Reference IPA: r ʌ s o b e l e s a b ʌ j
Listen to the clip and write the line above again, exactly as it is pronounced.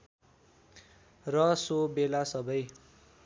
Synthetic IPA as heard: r ʌ s o b e l a s ʌ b ʌ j